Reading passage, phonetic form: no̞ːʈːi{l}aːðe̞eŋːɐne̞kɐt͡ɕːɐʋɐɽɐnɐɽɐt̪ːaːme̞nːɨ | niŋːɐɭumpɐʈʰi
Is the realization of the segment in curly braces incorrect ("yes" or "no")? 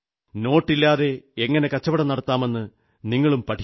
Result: yes